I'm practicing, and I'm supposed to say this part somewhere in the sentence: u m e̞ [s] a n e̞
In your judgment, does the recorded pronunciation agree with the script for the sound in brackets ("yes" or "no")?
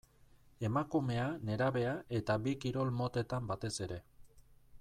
no